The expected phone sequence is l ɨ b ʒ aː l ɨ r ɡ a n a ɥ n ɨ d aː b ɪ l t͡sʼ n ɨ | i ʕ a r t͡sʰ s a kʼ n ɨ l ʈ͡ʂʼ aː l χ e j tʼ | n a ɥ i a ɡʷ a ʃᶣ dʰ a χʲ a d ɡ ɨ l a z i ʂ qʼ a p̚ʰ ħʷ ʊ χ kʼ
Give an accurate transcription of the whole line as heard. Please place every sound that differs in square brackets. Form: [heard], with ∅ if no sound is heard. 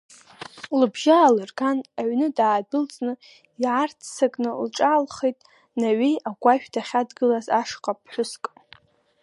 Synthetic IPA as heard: l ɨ b ʒ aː l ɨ r ɡ a n a ɥ n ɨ d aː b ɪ l t͡sʼ n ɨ | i ʕ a r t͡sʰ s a kʼ n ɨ l ʈ͡ʂʼ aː l χ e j tʼ | n a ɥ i a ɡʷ a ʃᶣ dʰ a χʲ a d ɡ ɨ l a z [a] ʂ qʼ a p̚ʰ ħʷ ʊ [s] kʼ

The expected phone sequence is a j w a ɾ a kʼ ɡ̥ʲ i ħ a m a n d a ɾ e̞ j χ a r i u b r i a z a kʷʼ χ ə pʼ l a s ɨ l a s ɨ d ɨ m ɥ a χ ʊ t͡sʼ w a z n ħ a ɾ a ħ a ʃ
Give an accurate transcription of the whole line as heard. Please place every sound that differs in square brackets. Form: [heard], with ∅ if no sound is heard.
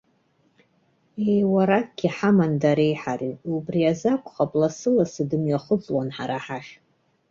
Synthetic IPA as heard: [e] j w a ɾ a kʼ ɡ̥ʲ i ħ a m a n d a ɾ e̞ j [ħ] a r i u b r i a z a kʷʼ χ [a] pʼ l a s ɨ l a s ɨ d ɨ m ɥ a χ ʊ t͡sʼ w a [∅] n ħ a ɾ a ħ a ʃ

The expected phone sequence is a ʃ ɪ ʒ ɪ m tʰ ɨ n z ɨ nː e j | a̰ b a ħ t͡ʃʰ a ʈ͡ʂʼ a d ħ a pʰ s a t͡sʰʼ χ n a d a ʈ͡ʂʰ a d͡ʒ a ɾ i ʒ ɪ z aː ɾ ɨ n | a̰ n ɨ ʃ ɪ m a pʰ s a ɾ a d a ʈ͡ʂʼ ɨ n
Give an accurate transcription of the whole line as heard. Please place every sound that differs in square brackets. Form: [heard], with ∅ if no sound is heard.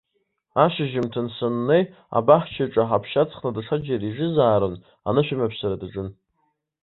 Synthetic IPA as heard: a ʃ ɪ ʒ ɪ m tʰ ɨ n [s] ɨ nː e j | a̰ b a ħ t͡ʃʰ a ʈ͡ʂʼ a [∅] ħ a pʰ [ʃ] a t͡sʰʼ χ n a d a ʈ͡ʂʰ a d͡ʒ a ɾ i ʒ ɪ z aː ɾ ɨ n | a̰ n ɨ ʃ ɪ m a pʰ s a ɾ a d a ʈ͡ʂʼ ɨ n

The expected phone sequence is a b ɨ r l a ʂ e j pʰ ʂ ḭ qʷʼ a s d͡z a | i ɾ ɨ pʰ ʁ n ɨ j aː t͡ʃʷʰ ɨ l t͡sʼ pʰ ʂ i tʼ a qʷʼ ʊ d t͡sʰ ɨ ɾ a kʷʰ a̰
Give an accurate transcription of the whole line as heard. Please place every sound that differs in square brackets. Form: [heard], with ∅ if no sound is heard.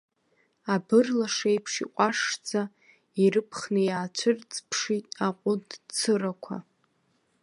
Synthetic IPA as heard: a b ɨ r l a ʂ e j pʰ ʂ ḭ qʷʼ a [ʂ] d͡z a | i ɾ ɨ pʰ [χ] n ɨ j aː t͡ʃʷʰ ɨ [r] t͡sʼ pʰ ʂ i tʼ a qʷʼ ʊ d t͡sʰ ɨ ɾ a kʷʰ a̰

